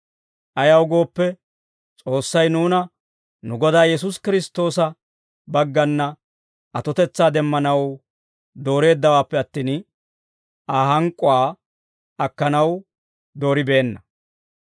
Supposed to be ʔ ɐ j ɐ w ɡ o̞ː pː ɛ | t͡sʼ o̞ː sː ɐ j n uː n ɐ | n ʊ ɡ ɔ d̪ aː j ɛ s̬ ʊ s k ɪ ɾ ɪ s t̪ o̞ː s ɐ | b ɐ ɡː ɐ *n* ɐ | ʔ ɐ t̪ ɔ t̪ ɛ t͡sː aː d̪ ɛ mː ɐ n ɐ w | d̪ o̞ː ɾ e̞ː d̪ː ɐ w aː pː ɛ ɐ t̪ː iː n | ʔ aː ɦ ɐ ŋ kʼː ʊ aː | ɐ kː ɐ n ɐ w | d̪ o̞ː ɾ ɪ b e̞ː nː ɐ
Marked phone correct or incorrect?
incorrect